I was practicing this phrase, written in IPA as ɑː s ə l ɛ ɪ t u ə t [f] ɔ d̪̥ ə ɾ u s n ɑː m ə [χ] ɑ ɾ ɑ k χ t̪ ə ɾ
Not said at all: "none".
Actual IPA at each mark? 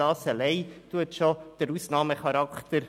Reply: ʃ, χ

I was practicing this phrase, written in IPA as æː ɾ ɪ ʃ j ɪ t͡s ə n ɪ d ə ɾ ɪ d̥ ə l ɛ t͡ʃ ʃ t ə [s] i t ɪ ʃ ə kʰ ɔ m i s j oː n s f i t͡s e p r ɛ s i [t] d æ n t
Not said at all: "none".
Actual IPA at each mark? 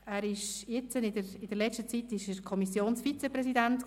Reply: t͡s, none

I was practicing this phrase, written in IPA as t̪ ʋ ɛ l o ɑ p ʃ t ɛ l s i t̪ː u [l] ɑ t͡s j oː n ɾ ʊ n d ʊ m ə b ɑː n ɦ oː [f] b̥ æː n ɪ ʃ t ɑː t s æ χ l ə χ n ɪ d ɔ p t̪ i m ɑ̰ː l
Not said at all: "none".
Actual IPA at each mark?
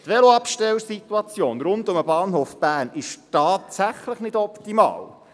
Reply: none, f

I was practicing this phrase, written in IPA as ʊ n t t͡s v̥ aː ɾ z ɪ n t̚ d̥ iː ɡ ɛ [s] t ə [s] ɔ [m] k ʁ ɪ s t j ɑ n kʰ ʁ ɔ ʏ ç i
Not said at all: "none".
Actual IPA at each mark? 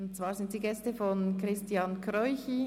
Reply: s, f, n

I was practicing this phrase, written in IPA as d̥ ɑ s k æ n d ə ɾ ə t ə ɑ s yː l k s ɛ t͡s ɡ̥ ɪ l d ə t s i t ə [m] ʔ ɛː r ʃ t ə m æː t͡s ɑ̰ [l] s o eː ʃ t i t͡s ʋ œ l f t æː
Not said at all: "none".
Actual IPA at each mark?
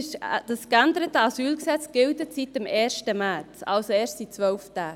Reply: m, l

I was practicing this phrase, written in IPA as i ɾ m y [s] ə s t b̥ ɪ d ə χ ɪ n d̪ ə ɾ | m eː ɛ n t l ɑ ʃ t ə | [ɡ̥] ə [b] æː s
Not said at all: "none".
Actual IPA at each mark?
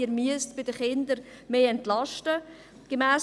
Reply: none, ɡ̥, m

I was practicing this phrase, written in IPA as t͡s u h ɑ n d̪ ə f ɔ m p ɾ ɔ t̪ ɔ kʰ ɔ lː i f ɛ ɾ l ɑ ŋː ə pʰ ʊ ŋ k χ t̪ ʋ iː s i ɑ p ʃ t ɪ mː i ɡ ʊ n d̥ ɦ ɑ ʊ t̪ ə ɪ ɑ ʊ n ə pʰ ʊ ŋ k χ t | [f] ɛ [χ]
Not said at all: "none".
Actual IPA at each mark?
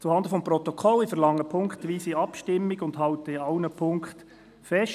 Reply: f, ʃ

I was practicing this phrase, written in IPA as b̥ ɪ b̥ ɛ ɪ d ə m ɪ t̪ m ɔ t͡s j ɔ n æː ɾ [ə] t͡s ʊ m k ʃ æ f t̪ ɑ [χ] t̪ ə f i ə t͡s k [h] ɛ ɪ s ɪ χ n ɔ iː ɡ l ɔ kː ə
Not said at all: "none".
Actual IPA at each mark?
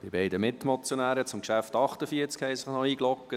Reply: ə, χ, h

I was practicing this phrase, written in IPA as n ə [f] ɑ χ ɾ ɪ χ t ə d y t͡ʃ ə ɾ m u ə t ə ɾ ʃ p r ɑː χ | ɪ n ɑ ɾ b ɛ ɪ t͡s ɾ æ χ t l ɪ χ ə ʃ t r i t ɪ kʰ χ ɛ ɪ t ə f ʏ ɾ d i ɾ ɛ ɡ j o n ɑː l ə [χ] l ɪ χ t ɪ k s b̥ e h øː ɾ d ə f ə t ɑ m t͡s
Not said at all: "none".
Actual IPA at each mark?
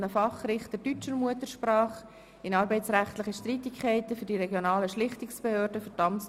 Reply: f, ʃ

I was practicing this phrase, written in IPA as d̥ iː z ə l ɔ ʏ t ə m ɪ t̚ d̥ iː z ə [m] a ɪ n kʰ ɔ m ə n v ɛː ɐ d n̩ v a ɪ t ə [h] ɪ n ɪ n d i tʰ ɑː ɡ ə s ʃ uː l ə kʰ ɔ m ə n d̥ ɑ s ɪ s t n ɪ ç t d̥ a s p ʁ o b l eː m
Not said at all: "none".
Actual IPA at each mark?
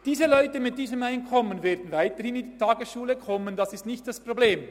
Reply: m, h

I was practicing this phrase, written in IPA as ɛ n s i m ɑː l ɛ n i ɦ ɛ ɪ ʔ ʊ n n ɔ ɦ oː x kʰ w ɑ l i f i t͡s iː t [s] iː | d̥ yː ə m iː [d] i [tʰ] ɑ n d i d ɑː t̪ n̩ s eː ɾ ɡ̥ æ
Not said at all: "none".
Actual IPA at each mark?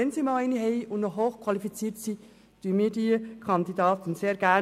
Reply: s, d, kʰ

